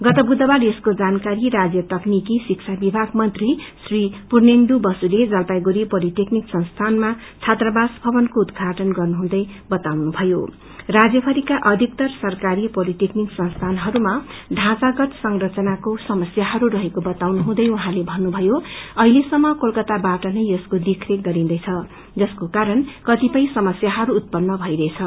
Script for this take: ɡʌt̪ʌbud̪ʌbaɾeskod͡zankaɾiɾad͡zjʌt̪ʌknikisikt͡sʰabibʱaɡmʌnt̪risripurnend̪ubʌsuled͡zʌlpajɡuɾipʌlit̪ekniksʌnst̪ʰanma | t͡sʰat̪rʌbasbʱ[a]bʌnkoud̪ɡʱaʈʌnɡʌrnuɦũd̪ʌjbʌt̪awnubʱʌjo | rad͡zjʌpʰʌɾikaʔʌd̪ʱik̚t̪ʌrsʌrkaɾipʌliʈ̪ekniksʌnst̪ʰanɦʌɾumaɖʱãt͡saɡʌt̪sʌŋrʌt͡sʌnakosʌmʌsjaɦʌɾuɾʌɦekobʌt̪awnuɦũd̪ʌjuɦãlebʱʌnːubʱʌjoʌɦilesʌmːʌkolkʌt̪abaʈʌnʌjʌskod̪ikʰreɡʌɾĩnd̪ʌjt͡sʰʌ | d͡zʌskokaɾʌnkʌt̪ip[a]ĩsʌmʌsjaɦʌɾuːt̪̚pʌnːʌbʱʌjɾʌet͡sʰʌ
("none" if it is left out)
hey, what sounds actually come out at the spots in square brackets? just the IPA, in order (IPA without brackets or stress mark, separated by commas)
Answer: ʌ, ʌ